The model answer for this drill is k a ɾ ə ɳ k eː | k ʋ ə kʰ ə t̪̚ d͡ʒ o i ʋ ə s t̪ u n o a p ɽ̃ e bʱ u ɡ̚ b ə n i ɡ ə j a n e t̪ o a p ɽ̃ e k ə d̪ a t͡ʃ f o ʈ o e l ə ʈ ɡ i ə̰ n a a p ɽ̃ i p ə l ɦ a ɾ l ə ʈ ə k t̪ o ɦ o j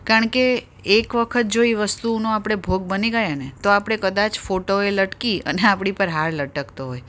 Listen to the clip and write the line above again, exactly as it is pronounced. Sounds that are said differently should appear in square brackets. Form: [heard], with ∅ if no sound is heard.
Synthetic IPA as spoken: k a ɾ ə ɳ k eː | k ʋ ə kʰ ə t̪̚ d͡ʒ o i ʋ ə s t̪ u n o a p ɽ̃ e bʱ [o] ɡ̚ b ə n i ɡ ə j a n e t̪ o a p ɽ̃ e k ə d̪ a t͡ʃ f o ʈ o e l ə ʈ [k] i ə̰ n [e] a p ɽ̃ i p ə [ɾ] ɦ a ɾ l ə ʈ ə k t̪ o ɦ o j